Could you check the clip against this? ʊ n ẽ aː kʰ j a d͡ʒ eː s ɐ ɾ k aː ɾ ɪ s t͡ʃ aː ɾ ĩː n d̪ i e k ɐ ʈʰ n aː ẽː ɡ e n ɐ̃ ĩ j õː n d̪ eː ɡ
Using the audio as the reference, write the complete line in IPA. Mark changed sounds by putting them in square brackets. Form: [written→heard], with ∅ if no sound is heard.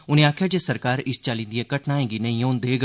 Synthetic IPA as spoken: ʊ n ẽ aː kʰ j a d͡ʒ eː s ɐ ɾ k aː ɾ ɪ s t͡ʃ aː [ɾ→l] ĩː n d̪ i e k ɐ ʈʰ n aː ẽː ɡ [e→i] n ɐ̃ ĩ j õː n d̪ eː ɡ